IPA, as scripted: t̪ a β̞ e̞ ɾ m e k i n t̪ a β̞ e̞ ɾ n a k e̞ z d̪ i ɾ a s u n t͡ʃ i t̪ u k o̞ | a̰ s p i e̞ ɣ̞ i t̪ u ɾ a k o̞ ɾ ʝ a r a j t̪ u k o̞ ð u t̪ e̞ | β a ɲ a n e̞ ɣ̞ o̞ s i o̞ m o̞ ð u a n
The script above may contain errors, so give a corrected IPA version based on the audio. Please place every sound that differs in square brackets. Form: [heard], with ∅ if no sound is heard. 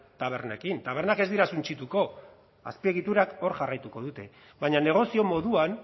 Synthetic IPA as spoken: t̪ a β̞ e̞ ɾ [n] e k i n t̪ a β̞ e̞ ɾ n a k e̞ z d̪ i ɾ a s u n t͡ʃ i t̪ u k o̞ | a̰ s p i e̞ ɣ̞ i t̪ u ɾ a k o̞ ɾ ʝ a r a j t̪ u k o̞ ð u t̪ e̞ | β a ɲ a n e̞ ɣ̞ o̞ s i o̞ m o̞ ð u a n

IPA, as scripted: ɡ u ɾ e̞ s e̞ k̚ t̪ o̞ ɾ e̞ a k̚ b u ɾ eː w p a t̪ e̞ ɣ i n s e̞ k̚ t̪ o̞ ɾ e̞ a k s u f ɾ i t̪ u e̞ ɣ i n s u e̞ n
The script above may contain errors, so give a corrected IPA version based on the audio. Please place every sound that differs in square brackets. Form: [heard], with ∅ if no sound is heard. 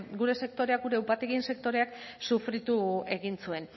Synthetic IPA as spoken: ɡ u ɾ e̞ s e̞ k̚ t̪ o̞ ɾ e̞ a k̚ [ɡ] u ɾ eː w p a t̪ e̞ ɣ i n s e̞ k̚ t̪ o̞ ɾ e̞ a k s u f ɾ i t̪ u e̞ ɣ i n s u e̞ n

